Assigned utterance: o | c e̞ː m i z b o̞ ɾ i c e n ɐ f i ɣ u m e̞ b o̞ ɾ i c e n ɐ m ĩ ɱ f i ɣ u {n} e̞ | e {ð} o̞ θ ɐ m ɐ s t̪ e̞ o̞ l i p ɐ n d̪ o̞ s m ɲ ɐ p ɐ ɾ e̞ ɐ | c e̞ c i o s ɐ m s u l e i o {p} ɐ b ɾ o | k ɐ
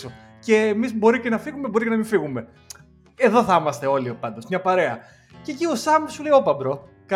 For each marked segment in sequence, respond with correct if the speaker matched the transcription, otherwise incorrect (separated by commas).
incorrect, correct, correct